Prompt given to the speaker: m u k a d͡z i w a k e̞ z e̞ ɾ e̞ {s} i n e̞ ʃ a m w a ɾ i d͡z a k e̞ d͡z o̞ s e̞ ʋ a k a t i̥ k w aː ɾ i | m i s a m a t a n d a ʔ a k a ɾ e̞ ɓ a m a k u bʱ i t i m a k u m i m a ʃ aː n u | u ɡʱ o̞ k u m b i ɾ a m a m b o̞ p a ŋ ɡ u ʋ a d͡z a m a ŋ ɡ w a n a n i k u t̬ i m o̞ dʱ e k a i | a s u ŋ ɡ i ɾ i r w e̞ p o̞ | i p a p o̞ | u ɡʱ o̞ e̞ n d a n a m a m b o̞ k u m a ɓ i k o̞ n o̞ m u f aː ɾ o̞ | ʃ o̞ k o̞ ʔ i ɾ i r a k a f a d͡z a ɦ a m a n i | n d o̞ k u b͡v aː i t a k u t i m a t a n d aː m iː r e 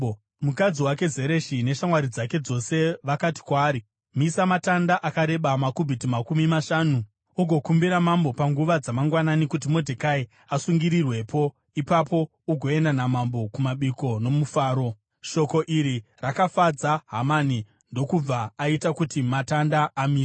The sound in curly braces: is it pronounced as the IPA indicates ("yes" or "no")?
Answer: no